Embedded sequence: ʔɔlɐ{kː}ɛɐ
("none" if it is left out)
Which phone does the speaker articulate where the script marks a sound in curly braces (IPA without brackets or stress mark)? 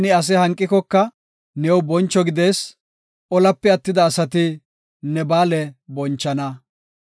pː